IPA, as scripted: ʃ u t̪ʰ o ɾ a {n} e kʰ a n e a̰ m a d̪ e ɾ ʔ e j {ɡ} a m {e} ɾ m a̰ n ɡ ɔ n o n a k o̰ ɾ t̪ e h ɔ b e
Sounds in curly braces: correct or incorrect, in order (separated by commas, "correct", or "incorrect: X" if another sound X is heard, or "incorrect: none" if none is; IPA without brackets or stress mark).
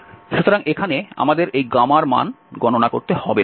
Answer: incorrect: ŋ, correct, incorrect: a